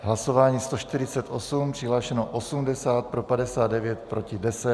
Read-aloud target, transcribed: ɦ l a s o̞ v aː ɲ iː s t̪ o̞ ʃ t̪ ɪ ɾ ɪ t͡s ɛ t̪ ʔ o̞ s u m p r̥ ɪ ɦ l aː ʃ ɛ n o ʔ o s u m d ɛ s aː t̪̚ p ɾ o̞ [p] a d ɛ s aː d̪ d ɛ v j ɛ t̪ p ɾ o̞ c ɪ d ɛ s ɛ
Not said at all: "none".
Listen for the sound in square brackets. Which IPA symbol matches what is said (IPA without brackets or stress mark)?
p